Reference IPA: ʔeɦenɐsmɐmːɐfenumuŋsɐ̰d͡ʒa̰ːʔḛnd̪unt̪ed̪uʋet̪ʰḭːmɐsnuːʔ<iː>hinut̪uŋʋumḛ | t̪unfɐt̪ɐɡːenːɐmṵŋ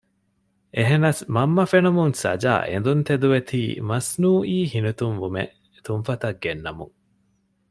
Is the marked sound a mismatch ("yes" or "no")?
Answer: no